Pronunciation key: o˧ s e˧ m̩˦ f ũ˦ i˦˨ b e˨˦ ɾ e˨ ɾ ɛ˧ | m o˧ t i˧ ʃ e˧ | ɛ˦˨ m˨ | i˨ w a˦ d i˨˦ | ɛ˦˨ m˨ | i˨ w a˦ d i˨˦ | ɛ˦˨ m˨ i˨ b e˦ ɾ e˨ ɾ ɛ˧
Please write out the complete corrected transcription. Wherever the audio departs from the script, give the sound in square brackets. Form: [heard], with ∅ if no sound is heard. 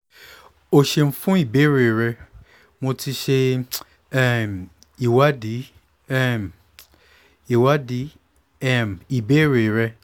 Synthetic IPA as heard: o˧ [ʃ] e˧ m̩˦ f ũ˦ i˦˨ b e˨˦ ɾ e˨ ɾ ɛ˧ | m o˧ t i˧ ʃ e˧ | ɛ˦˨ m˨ | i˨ w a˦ d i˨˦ | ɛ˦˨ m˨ | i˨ w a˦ d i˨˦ | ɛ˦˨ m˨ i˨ b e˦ ɾ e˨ ɾ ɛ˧